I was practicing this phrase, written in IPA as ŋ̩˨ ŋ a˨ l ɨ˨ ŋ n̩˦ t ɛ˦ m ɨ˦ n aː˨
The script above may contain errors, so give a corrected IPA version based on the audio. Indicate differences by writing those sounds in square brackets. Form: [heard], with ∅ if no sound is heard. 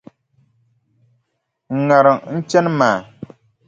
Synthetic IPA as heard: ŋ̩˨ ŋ a˨ [ɾ] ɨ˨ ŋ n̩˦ [t͡ʃ] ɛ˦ [n] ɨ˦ [m] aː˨